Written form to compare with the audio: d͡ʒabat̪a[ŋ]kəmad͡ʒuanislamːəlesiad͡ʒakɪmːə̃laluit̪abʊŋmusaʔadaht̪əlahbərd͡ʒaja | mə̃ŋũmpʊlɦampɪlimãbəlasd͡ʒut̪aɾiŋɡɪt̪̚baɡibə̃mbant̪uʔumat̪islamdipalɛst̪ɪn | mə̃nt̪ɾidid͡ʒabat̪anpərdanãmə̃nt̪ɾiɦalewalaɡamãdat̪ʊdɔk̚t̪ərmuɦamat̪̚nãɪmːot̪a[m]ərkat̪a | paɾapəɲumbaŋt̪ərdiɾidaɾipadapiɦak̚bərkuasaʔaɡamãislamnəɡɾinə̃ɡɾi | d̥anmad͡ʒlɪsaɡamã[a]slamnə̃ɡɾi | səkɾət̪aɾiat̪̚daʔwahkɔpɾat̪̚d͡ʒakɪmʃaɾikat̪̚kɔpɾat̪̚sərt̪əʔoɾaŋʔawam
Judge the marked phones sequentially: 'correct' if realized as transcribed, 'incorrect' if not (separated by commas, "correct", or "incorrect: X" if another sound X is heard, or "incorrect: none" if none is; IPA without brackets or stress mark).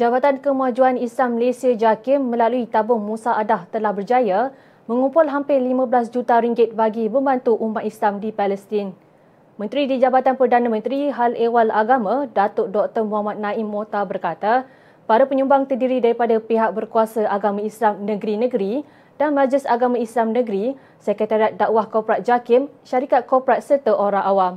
incorrect: n, incorrect: b, incorrect: i